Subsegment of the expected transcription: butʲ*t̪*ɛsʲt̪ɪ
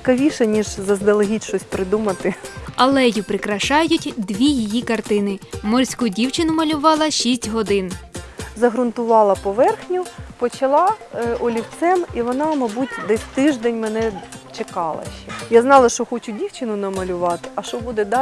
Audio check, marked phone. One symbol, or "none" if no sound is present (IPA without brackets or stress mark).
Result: d̪